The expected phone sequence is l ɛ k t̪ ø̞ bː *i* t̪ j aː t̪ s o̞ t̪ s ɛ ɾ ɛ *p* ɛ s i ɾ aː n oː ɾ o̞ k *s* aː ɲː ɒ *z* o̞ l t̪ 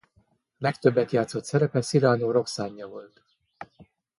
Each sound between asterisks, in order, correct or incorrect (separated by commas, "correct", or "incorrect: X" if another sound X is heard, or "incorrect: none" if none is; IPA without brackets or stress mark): incorrect: ɛ, correct, correct, incorrect: v